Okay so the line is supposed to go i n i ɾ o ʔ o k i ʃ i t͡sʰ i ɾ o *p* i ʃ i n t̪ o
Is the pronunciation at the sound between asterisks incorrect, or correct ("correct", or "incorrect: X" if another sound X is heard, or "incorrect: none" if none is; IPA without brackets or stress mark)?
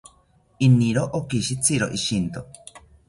incorrect: ʔ